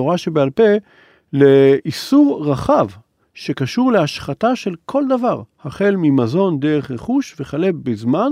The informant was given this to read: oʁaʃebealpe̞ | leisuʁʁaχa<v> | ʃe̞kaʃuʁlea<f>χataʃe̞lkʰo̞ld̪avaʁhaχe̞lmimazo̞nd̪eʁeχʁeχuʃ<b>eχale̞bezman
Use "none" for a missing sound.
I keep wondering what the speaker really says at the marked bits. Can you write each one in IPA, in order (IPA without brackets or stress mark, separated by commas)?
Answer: v, ʃ, v